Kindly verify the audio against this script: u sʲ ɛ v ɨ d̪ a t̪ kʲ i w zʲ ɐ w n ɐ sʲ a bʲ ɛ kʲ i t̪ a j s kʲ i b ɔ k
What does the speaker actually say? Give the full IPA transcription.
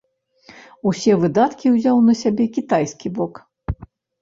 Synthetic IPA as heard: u sʲ ɛ v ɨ d̪ a t̪ kʲ i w zʲ a w n ɐ sʲ a bʲ ɛ kʲ i t̪ a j s kʲ i b ɔ k